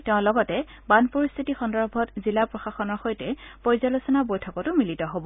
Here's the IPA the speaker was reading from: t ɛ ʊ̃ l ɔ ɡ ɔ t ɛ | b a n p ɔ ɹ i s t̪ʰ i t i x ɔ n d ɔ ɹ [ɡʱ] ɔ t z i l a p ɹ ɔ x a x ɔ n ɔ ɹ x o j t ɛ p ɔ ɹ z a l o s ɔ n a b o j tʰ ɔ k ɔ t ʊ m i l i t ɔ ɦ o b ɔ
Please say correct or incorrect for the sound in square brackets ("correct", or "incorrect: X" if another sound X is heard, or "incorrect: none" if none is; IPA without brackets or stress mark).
incorrect: bʱ